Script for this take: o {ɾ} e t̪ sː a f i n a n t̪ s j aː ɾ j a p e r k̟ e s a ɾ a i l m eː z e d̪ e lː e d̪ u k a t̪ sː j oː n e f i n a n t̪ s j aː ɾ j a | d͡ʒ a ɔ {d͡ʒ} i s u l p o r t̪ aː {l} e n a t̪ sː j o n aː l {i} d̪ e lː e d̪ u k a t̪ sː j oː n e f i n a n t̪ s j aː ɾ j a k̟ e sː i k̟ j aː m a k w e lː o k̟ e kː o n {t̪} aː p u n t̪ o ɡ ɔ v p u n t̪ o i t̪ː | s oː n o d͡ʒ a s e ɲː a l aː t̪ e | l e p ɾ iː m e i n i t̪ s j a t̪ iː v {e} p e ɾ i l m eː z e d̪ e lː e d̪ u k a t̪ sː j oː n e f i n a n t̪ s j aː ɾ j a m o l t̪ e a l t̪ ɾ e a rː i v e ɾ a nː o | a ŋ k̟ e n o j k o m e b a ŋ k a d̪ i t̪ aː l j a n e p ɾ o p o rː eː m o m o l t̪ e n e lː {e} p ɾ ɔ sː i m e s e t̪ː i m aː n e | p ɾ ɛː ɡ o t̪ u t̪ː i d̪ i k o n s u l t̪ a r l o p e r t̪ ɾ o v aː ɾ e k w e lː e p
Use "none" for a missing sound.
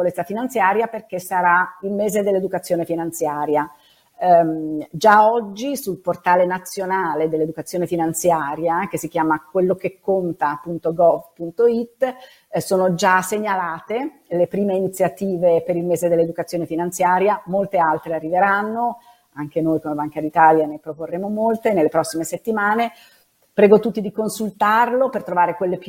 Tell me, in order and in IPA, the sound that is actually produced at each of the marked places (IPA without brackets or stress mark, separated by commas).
l, d͡ʒː, l, e, t̪, e, e